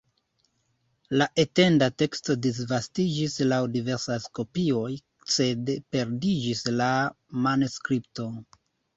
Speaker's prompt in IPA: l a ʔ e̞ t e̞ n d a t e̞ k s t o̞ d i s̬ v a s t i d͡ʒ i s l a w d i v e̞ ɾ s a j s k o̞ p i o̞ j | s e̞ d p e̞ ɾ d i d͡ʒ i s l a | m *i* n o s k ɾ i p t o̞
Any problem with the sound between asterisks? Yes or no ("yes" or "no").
yes